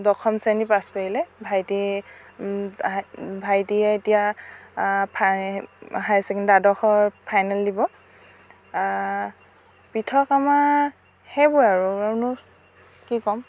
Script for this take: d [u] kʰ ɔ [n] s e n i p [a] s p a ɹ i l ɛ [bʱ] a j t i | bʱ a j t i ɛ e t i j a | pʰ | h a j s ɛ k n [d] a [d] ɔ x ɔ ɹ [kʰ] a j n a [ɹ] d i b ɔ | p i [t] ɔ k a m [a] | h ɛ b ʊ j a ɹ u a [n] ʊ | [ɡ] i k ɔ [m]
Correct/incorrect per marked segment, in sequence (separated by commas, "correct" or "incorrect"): incorrect, incorrect, correct, correct, correct, correct, incorrect, incorrect, incorrect, correct, correct, incorrect, correct